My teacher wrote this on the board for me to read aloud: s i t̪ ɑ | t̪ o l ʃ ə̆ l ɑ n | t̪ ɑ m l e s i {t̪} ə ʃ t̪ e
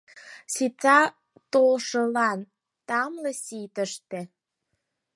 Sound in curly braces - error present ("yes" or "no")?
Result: no